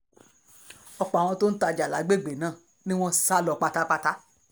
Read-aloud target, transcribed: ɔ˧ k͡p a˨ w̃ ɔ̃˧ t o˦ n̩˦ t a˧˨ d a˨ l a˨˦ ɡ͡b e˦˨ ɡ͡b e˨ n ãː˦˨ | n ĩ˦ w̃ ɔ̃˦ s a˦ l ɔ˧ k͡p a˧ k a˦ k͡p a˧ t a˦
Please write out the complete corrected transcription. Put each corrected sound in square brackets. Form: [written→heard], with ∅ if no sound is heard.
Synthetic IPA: ɔ˧ k͡p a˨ w̃ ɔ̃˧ t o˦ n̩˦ t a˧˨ [d→d͡ʒ] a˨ l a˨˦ ɡ͡b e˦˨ ɡ͡b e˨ n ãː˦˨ | n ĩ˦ w̃ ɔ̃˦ s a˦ l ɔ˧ k͡p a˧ [k→t] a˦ k͡p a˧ t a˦